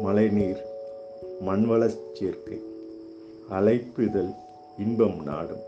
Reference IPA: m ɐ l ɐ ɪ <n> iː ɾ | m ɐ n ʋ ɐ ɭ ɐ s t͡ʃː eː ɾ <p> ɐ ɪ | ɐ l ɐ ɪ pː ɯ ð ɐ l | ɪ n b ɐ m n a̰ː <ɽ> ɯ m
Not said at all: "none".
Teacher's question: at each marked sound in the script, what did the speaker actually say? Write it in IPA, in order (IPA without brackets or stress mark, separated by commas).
n, k, ɽ